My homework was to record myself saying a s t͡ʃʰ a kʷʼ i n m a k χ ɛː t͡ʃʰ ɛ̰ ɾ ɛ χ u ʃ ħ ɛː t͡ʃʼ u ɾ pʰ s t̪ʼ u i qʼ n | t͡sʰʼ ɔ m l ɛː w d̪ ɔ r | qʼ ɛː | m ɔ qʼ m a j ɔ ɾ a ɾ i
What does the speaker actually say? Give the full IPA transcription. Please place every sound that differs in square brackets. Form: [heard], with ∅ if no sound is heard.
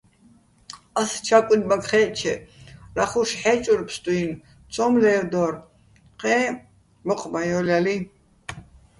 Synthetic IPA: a s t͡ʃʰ a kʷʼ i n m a k χ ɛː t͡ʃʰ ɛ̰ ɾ [a] χ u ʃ ħ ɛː t͡ʃʼ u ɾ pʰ s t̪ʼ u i [∅] n | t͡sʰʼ ɔ m l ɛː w d̪ ɔ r | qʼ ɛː | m ɔ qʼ m a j ɔ [l] a [l] i